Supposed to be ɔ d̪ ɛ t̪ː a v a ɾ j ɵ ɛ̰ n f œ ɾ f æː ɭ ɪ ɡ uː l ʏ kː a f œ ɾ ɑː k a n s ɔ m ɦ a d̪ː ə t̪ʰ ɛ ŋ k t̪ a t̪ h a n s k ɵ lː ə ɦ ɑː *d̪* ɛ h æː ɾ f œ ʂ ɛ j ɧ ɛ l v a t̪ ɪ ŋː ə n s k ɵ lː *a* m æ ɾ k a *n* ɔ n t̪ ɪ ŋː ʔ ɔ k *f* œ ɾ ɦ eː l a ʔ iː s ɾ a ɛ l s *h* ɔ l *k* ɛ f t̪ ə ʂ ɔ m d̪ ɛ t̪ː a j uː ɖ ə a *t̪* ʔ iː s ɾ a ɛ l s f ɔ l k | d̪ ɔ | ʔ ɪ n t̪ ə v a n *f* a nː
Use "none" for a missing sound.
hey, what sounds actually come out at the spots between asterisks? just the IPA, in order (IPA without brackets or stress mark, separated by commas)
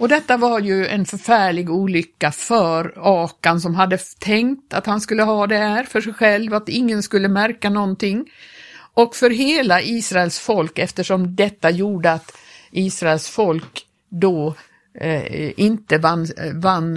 d̪, ə, n, f, f, k, t̪, v